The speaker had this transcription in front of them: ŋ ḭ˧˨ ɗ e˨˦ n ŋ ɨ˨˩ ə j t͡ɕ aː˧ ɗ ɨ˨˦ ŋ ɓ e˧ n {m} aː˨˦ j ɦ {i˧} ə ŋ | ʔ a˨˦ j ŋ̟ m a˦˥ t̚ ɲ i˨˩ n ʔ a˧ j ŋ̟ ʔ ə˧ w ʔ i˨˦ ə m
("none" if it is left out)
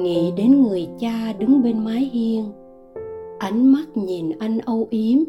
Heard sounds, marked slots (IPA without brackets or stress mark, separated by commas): m, i˧